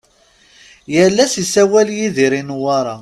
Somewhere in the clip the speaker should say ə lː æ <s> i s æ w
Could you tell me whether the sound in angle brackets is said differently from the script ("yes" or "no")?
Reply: no